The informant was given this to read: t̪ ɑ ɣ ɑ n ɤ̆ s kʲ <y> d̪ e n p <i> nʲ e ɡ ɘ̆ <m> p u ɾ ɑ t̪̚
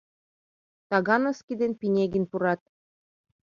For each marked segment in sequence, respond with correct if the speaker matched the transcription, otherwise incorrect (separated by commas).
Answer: incorrect, correct, incorrect